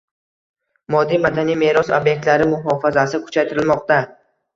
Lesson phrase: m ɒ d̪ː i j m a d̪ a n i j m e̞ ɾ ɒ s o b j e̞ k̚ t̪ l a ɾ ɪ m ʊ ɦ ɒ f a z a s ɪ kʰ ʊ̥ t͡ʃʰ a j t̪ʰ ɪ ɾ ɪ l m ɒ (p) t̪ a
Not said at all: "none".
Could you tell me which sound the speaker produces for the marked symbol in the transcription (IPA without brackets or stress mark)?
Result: q